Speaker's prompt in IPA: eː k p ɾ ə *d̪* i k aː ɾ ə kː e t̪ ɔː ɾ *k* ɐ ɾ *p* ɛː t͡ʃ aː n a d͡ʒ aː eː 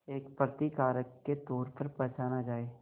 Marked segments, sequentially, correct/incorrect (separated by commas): incorrect, incorrect, correct